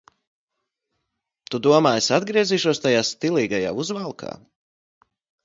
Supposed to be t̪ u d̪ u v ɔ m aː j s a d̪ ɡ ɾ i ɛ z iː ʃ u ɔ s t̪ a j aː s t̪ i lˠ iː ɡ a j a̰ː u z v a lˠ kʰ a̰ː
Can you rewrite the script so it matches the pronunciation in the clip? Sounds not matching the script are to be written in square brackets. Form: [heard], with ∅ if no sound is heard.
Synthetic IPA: t̪ u d̪ u [∅] ɔ m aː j s a d̪ ɡ ɾ i ɛ z iː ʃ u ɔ s t̪ a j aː s t̪ i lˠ iː ɡ a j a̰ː u z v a lˠ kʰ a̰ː